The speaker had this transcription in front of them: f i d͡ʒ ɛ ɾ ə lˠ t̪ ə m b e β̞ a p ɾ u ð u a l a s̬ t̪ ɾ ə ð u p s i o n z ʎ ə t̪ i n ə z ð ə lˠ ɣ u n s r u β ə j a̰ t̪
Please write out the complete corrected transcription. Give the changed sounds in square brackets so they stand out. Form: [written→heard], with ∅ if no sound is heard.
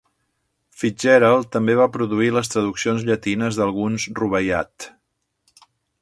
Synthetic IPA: f i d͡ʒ ɛ ɾ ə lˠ t̪ ə m b e β̞ a p ɾ u ð u [a→i] l [a→ə] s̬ t̪ ɾ ə ð u [p→k] s i o n z ʎ ə t̪ i n ə z ð ə lˠ ɣ u n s r u β ə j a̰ t̪